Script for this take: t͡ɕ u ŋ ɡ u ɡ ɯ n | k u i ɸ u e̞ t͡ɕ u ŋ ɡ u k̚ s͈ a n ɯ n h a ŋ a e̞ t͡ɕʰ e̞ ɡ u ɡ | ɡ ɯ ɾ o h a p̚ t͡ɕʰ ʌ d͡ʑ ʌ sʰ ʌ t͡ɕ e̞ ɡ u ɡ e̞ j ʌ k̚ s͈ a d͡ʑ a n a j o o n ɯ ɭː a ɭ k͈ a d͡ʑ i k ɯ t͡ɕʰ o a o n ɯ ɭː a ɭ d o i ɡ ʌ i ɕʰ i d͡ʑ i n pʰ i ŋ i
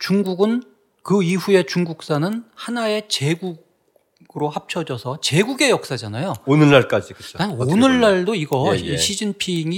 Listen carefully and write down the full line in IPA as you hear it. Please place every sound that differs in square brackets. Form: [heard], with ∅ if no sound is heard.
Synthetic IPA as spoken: t͡ɕ u ŋ ɡ u ɡ ɯ n | k [ɯ] i ɸ u e̞ t͡ɕ u ŋ ɡ u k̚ s͈ a n ɯ n h a [n] a e̞ [t͡ɕ] e̞ ɡ u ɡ | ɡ ɯ ɾ o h a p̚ t͡ɕʰ ʌ d͡ʑ ʌ sʰ ʌ t͡ɕ e̞ ɡ u ɡ e̞ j ʌ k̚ s͈ a d͡ʑ a n a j o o n ɯ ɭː a ɭ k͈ a d͡ʑ i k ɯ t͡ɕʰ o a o n ɯ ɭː a ɭ d o i ɡ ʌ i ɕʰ i d͡ʑ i n pʰ i ŋ i